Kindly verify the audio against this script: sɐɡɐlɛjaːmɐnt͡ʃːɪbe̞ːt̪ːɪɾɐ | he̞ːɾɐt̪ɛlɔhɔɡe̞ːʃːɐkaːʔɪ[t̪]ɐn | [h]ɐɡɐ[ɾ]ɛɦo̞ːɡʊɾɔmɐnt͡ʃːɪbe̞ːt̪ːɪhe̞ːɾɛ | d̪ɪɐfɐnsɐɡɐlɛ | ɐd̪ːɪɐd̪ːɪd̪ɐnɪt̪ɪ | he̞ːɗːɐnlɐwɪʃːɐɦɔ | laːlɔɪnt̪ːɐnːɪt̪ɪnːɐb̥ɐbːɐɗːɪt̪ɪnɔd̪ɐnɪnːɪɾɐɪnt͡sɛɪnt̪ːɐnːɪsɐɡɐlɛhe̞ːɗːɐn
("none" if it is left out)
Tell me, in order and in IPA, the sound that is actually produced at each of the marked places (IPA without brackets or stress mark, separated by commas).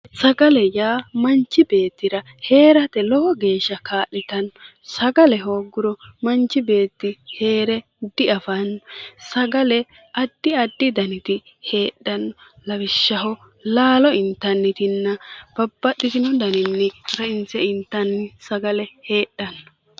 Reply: t̪, s, l